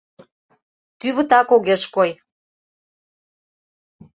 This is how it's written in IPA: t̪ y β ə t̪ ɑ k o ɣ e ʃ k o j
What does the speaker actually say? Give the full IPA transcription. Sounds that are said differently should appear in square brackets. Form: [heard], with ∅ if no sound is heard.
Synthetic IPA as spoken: t̪ y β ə t̪ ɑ k o ɣ e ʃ k o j

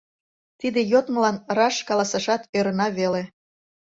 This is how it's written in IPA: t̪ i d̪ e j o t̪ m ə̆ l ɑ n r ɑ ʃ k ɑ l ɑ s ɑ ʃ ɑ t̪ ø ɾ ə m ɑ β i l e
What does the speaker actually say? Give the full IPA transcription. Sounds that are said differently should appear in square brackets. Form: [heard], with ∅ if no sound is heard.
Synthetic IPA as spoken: t̪ i d̪ e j o t̪ m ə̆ l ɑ n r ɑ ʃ k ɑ l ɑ s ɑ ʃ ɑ t̪ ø ɾ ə [n] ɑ β [e] l e

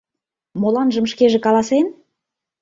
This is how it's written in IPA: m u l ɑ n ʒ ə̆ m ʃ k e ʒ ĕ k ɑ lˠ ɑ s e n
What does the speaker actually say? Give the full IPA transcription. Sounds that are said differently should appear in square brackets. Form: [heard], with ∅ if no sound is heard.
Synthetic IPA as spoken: m [o] l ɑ n ʒ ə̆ m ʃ k e ʒ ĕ k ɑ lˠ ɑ s e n

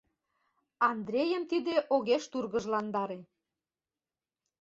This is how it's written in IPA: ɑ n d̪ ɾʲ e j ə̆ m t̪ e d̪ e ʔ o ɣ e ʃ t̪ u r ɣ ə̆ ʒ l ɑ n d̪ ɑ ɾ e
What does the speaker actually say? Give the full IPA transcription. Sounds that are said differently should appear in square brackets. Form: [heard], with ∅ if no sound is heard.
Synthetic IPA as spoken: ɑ n d̪ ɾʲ e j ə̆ m t̪ [i] d̪ e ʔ o ɣ e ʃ t̪ u r ɣ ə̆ ʒ l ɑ n d̪ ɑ ɾ e

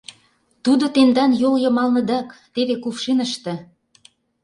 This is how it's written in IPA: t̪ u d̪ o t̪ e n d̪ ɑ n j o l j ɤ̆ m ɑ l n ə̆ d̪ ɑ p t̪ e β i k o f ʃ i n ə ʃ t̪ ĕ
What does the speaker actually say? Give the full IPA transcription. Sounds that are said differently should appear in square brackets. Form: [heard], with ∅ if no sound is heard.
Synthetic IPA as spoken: t̪ u d̪ o t̪ e n d̪ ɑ n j o l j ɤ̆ m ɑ l n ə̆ d̪ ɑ [k] t̪ e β [e] k [u] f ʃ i n ə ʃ t̪ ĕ

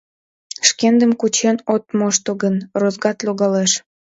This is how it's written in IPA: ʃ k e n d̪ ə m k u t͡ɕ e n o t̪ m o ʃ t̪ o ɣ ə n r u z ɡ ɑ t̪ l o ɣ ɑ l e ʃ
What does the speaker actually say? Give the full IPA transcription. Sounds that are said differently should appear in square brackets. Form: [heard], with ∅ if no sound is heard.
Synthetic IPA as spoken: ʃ k e n d̪ ə m k u t͡ɕ e n o t̪ m o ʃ t̪ o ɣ ə n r [o] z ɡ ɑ t̪ l o ɣ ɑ l e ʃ

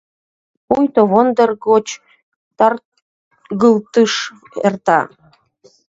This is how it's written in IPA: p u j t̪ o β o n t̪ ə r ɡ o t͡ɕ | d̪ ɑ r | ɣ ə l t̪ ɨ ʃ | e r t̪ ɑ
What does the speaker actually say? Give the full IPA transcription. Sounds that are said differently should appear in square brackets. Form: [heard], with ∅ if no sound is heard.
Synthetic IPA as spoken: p u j t̪ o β o n [d̪] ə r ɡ o t͡ɕ | [t̪] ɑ r | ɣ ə l t̪ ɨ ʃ | e r t̪ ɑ

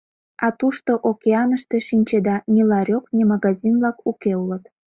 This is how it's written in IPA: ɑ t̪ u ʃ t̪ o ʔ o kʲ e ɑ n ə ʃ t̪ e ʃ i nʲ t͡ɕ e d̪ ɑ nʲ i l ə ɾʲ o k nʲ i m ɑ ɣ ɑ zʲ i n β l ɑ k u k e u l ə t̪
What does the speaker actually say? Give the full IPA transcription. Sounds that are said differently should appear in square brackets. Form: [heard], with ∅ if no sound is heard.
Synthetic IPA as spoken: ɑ t̪ u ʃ t̪ o ʔ o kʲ e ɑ n ə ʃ t̪ e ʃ i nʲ t͡ɕ e d̪ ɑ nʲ i l [ɑ] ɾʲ o k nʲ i m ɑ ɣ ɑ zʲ i n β l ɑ k u k e u l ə t̪

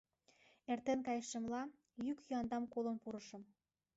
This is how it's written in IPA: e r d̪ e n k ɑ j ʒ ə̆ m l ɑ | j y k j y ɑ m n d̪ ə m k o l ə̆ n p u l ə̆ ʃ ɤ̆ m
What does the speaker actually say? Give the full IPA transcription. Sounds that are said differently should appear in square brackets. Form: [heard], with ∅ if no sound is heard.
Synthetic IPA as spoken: e r [t̪] e n k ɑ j [ʃ] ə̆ m l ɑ | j y k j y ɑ [∅] n d̪ [ɑ] m k o l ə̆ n p u [ɾ] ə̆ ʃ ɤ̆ m

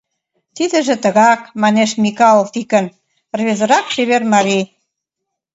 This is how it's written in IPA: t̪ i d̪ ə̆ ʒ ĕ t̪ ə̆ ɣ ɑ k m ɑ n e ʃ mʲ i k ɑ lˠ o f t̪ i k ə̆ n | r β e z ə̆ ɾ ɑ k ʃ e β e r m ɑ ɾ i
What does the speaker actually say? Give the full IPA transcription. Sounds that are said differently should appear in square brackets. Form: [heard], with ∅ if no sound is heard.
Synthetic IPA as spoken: t̪ i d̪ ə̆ ʒ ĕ t̪ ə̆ ɣ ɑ k m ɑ n e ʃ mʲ i k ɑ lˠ o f t̪ i k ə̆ n | r β e z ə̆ ɾ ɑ k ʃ e β e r m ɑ ɾ i

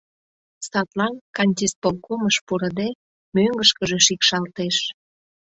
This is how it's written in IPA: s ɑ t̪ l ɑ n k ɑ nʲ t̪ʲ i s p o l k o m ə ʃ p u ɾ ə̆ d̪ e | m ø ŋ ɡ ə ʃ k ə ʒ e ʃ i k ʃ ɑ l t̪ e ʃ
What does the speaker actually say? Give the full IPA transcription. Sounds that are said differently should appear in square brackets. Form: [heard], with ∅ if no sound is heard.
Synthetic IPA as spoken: s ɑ t̪ l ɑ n k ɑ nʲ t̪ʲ i s p o l k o m ə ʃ p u ɾ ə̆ d̪ e | m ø ŋ ɡ ə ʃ k ə ʒ e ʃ i k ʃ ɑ l t̪ e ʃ

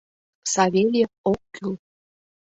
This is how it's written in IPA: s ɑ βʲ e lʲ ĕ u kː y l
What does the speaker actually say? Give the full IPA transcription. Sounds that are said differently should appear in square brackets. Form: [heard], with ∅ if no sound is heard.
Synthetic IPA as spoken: s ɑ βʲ e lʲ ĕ [o] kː y l

